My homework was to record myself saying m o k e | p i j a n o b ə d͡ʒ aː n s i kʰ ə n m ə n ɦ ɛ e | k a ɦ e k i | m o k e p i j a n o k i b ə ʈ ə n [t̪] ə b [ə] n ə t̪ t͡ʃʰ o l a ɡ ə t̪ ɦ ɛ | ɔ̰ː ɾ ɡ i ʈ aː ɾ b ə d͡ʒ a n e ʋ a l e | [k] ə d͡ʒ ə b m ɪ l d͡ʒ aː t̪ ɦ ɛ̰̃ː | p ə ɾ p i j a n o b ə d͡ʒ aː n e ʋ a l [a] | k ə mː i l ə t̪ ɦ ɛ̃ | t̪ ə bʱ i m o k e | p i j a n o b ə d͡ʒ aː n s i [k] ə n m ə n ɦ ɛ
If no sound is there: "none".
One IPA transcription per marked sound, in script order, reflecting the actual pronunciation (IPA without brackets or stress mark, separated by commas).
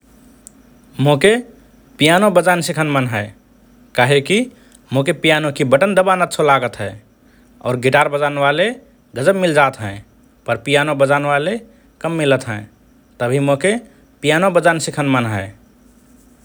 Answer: d̪, a, ɡ, e, kʰ